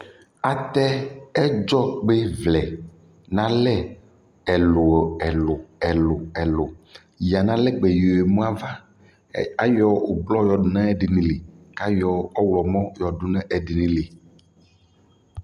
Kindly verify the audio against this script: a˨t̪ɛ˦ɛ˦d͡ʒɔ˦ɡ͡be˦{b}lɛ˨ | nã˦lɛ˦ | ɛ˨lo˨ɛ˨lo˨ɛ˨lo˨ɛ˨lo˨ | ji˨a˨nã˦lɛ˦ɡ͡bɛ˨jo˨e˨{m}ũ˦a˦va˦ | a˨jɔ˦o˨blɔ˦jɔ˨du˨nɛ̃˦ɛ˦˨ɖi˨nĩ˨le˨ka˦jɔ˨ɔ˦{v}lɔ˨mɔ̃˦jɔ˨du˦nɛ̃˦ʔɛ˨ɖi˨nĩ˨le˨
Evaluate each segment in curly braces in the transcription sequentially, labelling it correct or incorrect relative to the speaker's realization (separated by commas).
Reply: incorrect, correct, incorrect